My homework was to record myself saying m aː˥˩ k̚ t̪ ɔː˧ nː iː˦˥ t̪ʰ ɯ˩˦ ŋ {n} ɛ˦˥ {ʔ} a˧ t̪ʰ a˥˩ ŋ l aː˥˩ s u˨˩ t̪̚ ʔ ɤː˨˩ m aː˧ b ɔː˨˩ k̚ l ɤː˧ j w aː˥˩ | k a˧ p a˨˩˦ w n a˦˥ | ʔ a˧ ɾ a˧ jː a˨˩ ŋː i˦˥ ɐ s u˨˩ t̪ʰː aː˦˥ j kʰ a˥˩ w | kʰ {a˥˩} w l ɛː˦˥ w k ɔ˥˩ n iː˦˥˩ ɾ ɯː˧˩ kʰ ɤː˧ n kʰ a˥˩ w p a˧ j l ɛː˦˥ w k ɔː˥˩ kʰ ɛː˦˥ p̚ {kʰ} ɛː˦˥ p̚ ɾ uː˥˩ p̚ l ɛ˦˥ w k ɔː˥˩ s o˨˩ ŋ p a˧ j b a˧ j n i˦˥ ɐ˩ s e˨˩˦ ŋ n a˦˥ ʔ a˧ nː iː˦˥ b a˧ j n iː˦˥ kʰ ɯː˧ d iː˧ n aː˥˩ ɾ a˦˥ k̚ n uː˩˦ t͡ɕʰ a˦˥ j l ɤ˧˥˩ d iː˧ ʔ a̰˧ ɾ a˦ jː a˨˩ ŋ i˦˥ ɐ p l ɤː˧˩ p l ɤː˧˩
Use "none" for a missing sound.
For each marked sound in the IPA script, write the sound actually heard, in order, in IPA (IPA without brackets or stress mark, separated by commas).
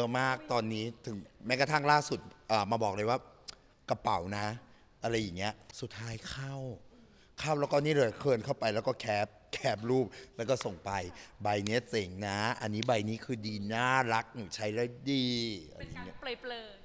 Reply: m, k, a˥˩, kʰ